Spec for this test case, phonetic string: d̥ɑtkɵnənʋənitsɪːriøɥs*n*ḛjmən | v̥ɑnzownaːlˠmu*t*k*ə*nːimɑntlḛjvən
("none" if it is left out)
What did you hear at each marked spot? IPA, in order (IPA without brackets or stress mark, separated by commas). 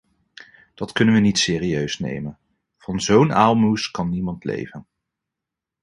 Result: n, s, ɑ